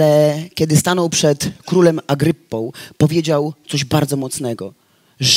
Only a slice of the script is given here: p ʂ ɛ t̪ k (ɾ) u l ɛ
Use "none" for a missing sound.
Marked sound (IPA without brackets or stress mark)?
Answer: ɾ